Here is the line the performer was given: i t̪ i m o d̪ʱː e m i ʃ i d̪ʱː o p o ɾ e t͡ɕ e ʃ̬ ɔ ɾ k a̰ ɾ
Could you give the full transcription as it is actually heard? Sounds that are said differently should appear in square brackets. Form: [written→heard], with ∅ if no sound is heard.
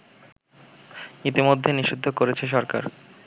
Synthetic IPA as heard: i t̪ i m o d̪ʱː e [m→n] i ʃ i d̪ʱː o [p→k] o ɾ e [t͡ɕ→t͡ɕʰ] e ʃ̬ ɔ ɾ k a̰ ɾ